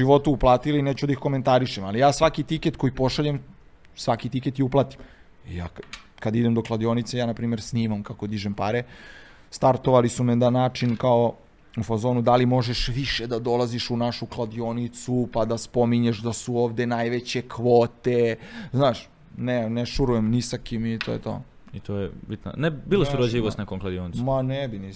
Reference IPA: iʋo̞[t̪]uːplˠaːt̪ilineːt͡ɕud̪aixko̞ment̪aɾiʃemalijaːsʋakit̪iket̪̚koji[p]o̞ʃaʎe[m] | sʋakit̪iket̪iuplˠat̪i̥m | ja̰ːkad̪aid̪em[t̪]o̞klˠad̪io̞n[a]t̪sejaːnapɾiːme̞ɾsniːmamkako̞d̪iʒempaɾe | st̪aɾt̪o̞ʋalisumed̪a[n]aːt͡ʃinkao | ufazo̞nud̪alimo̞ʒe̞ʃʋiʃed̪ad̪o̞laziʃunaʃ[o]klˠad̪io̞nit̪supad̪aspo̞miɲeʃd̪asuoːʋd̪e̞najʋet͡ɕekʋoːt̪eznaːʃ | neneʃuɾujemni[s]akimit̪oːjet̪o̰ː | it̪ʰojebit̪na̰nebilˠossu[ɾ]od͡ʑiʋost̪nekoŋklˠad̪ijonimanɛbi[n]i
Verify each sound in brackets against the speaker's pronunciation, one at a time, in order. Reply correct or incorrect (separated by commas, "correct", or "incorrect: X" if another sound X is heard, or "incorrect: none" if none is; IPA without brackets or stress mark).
correct, correct, correct, incorrect: d̪, incorrect: i, correct, incorrect: u, correct, correct, correct